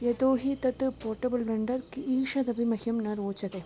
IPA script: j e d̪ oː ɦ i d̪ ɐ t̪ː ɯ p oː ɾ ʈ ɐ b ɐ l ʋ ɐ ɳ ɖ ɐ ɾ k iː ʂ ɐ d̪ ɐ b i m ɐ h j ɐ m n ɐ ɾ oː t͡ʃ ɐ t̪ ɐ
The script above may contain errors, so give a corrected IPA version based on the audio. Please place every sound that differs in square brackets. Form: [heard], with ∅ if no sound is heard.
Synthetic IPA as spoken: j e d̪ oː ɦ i [t̪] ɐ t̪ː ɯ p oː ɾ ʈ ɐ b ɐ l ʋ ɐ ɳ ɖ ɐ ɾ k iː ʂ ɐ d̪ ɐ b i m ɐ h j ɐ m n ɐ ɾ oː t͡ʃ ɐ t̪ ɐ